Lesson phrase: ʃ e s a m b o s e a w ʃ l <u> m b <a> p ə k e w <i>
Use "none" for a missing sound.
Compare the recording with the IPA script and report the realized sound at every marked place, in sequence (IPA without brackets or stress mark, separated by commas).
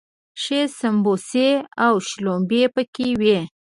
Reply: o, e, e